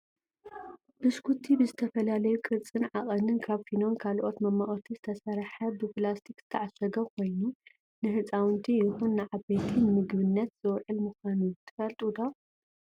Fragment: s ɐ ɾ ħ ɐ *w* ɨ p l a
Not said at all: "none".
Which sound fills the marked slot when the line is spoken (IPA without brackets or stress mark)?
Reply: b